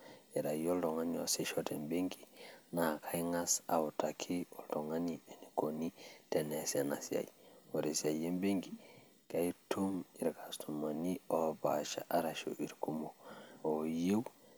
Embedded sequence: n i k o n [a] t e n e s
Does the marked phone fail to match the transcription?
yes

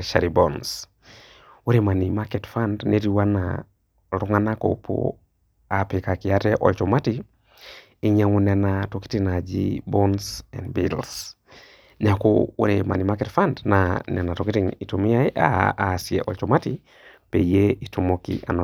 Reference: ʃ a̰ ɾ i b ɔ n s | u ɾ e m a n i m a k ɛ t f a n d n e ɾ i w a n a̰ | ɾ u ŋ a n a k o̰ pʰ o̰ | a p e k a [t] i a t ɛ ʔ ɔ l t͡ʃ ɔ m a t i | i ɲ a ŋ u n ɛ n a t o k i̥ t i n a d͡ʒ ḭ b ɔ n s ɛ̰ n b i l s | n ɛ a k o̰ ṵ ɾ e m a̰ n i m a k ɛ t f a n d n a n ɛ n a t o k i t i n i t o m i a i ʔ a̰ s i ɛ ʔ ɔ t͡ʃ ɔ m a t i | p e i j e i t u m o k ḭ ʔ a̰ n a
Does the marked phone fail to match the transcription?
yes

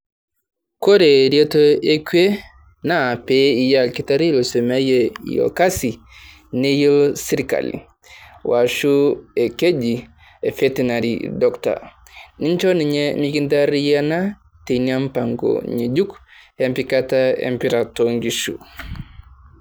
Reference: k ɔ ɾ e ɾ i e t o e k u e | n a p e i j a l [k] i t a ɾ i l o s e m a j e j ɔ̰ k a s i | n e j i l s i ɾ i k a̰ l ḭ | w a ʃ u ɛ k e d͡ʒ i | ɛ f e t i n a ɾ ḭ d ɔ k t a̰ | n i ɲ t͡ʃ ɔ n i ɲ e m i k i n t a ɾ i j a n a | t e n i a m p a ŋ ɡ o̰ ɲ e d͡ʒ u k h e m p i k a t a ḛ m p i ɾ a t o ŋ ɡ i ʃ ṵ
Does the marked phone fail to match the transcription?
no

